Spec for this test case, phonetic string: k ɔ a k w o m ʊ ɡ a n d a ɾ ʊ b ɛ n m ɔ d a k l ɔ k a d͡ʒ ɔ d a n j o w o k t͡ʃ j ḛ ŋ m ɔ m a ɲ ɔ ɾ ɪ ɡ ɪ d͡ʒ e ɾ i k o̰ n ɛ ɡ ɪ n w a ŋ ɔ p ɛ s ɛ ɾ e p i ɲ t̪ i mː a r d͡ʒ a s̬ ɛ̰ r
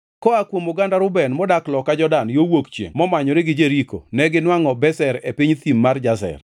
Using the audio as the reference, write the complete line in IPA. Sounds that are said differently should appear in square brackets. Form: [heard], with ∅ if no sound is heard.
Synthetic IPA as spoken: k ɔ a k w o m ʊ ɡ a n d a ɾ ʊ b ɛ n m ɔ d a k l ɔ k a d͡ʒ ɔ d a n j o w o k t͡ʃ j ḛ ŋ m ɔ m a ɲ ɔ ɾ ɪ ɡ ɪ d͡ʒ e ɾ i k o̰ n ɛ ɡ ɪ n w a ŋ ɔ [b] ɛ s ɛ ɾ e p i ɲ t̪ i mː a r d͡ʒ a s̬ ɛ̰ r

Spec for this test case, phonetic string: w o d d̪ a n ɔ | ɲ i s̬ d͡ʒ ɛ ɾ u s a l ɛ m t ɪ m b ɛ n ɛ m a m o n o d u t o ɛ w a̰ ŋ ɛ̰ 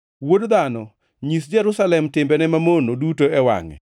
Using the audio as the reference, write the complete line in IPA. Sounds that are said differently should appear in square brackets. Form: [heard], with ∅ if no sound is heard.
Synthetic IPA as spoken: w o d d̪ a n ɔ | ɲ i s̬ d͡ʒ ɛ ɾ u s a l ɛ m t ɪ m b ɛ n ɛ m a m o n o d u t o ɛ w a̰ ŋ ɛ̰

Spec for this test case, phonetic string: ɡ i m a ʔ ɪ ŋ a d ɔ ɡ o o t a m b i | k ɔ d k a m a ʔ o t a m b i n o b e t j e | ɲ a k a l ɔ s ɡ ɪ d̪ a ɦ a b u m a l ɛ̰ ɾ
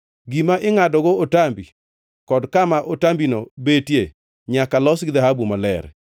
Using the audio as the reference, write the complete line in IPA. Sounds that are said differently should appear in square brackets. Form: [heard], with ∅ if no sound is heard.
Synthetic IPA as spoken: ɡ i m a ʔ ɪ ŋ a d ɔ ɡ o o t a m b i | k ɔ d k a m a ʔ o t a m b i n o b e t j e | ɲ a k a l ɔ s ɡ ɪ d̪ a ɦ a b u m a l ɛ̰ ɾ

